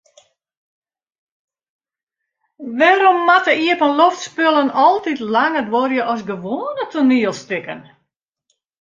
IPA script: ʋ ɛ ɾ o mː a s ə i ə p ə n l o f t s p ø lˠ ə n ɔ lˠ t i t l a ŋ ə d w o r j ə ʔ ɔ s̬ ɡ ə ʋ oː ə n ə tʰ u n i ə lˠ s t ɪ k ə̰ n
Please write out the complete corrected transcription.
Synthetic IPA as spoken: ʋ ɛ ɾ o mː a t ə i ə p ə n l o f t s p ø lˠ ə n ɔ lˠ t i t l a ŋ ə d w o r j ə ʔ ɔ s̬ ɡ ə ʋ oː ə n ə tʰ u n i ə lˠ s t ɪ k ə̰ n